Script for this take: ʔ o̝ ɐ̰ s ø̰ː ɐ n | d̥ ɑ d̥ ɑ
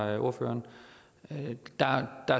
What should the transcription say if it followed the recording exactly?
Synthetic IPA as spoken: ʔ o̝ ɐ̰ f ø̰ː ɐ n | d̥ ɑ d̥ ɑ